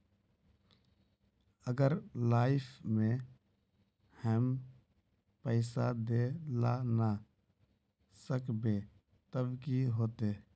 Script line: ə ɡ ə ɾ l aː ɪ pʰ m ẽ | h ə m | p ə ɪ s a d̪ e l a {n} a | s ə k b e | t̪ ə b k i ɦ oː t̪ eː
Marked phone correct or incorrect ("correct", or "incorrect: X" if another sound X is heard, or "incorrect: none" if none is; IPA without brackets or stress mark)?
correct